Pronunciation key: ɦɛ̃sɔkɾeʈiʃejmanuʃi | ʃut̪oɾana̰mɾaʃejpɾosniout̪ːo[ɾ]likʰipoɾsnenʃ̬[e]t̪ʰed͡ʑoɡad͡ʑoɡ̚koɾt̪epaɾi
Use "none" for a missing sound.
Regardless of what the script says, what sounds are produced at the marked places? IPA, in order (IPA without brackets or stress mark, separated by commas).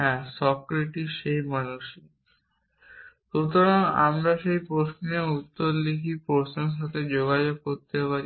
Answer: ɾ, a